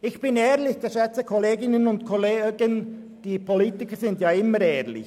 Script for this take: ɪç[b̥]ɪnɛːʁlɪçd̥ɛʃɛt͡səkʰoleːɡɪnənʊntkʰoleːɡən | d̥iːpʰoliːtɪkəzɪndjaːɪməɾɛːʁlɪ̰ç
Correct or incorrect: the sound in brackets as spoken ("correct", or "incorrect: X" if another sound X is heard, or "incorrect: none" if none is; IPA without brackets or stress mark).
correct